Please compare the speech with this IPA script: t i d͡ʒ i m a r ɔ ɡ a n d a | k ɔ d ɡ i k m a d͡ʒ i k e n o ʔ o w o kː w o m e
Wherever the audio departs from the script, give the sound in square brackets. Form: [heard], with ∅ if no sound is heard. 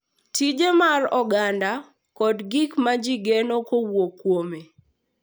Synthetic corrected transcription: t i d͡ʒ [e] m a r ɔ ɡ a n d a | k ɔ d ɡ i k m a d͡ʒ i [ɡ] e n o [k] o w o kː w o m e